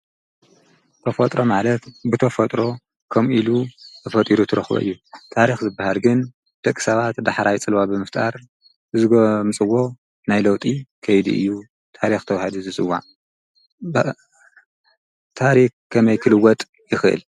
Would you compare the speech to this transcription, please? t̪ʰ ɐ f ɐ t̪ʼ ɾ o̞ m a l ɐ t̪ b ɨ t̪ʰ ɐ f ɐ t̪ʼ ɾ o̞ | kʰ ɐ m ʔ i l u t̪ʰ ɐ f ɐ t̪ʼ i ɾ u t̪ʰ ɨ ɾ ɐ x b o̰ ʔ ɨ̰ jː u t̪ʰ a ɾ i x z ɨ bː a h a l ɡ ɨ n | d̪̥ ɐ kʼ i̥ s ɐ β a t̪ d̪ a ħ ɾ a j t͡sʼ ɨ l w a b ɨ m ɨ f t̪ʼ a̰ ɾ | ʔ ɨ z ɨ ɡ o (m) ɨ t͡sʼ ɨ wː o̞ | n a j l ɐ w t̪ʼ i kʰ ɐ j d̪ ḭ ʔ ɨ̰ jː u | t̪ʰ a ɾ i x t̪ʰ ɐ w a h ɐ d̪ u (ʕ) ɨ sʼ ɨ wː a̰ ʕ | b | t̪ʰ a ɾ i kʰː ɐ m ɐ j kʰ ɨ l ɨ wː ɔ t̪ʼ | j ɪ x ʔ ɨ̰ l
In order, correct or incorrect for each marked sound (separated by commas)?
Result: correct, incorrect